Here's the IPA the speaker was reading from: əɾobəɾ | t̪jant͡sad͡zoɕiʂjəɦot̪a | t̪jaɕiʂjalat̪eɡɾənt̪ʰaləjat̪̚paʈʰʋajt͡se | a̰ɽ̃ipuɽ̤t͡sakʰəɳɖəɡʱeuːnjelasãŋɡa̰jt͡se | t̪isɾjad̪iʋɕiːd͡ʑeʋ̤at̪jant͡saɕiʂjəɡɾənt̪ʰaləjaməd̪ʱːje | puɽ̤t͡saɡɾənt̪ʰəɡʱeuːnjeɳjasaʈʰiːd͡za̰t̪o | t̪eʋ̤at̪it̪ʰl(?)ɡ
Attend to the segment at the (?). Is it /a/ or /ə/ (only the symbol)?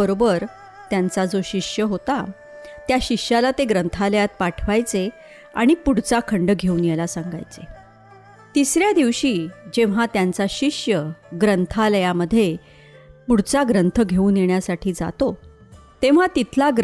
a